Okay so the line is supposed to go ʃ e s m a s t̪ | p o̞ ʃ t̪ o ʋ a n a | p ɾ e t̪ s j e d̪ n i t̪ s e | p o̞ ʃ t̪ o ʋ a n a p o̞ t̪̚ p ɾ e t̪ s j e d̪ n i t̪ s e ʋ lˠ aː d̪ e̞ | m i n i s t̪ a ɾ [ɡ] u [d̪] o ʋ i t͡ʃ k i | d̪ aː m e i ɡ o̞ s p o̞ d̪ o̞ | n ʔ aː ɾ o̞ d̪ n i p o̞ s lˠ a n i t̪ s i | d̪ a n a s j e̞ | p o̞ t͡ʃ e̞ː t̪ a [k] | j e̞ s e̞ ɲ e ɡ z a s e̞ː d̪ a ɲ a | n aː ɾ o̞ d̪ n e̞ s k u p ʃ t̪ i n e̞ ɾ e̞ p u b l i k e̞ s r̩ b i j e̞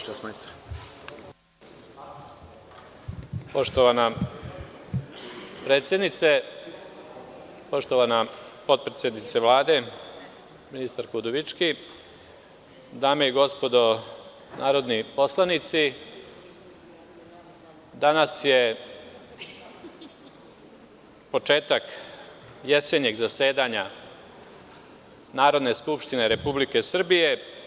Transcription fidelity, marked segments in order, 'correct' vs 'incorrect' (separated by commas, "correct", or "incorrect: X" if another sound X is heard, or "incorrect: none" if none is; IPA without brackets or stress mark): incorrect: k, correct, correct